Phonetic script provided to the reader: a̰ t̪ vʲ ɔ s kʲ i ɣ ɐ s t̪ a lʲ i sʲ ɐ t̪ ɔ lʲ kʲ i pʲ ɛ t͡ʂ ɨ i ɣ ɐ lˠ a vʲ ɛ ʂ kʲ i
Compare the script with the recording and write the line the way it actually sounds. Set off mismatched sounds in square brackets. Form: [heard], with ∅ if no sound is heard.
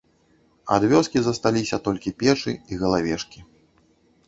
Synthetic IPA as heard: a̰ [d̪] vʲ ɔ s kʲ i [z] ɐ s t̪ a lʲ i sʲ ɐ t̪ ɔ lʲ kʲ i pʲ ɛ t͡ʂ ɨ i ɣ ɐ lˠ a vʲ ɛ ʂ kʲ i